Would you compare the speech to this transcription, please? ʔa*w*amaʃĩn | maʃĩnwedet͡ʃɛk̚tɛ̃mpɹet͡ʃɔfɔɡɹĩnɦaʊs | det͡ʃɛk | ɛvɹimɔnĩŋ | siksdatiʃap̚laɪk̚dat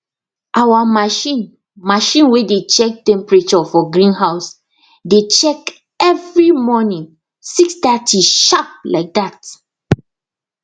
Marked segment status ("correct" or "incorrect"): correct